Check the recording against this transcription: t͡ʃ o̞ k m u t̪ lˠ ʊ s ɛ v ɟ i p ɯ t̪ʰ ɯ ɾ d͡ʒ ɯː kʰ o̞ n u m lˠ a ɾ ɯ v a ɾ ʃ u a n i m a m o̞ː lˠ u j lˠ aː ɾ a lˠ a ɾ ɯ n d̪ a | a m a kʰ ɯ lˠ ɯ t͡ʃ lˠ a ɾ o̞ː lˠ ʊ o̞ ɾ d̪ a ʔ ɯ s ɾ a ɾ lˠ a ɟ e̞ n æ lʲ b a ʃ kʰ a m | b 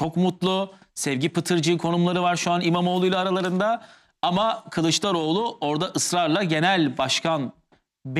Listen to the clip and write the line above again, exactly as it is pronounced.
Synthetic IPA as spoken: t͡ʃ o̞ k m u t̪ lˠ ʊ s ɛ v ɟ i p ɯ t̪ʰ ɯ ɾ d͡ʒ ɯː kʰ o̞ n u m lˠ a ɾ ɯ v a ɾ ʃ u a n i m a m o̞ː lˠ u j lˠ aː ɾ a lˠ a ɾ ɯ n d̪ a | a m a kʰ ɯ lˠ ɯ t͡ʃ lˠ a ɾ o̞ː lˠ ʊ o̞ ɾ d̪ a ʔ ɯ s ɾ a ɾ lˠ a ɟ e̞ n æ lʲ b a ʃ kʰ a n | b